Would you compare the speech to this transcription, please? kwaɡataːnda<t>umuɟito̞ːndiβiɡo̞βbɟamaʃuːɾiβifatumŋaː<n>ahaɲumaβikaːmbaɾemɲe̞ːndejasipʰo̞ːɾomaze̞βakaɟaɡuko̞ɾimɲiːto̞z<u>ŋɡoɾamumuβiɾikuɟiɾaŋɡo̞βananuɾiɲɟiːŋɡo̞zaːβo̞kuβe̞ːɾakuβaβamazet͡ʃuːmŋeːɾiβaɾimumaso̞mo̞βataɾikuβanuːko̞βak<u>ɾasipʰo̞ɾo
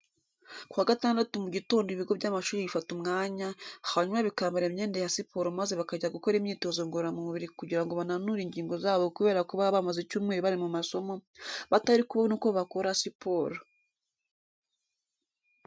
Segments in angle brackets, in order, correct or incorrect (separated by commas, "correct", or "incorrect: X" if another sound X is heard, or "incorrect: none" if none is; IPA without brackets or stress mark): correct, incorrect: ɲ, incorrect: o, incorrect: o